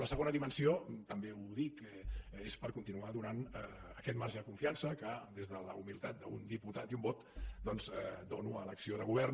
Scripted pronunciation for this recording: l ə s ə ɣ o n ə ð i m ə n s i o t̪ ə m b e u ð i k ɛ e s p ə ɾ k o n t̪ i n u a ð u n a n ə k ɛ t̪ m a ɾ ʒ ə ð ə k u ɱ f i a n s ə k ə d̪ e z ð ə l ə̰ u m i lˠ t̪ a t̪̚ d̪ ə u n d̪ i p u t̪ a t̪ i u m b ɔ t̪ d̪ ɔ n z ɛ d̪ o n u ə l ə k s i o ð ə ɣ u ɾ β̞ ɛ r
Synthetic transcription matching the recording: l ə s ə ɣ o n ə ð i m ə n s i o t̪ ə m b e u ð i k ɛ e s p ə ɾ k u n t̪ i n u a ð u n a n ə k ɛ t̪ m a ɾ ʒ ə ð ə k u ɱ f i a n s ə k ə d̪ e z ð ə l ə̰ u m i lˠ t̪ a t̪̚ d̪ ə u n d̪ i p u t̪ a t̪ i u m b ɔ t̪ d̪ ɔ n z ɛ d̪ o n u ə l ə k s i o ð ə ɣ u β̞ ɛ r